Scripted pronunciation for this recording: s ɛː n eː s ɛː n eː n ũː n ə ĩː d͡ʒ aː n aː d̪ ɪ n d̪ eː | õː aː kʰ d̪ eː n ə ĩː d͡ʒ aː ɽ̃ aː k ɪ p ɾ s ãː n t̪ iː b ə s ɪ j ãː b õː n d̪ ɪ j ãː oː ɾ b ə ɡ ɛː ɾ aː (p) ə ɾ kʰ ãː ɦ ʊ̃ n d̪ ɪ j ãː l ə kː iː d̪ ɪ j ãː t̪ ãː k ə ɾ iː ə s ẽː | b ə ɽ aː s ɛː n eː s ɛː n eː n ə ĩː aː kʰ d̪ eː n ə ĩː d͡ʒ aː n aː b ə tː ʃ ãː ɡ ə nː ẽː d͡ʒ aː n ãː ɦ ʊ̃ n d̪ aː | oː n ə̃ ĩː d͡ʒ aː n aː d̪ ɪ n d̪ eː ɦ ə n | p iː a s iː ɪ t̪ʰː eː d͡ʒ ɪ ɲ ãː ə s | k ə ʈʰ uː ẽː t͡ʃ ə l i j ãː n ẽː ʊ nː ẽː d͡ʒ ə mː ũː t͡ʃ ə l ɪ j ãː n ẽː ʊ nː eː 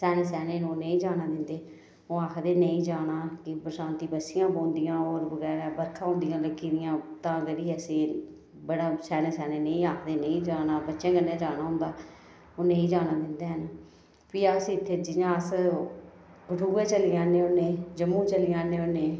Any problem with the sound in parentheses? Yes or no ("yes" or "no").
yes